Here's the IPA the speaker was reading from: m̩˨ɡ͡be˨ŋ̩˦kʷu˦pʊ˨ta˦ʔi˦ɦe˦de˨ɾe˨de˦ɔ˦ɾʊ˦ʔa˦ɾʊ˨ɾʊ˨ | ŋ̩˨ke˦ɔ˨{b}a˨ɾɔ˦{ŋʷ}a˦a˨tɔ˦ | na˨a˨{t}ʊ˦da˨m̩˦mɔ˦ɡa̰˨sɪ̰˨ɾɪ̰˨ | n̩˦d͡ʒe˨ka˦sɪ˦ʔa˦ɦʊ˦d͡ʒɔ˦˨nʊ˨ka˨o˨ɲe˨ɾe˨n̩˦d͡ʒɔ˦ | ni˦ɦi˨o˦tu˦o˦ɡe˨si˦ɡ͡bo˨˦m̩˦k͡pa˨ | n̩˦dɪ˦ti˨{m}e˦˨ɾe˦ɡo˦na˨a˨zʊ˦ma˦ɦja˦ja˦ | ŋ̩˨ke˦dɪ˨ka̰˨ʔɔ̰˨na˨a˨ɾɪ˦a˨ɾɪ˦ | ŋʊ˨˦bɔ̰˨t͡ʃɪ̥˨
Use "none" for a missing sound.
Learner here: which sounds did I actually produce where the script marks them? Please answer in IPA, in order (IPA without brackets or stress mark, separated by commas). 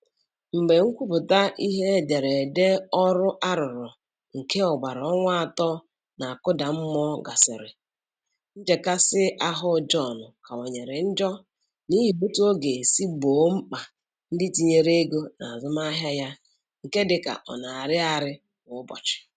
ɡ͡b, ŋʷ, k, ɲ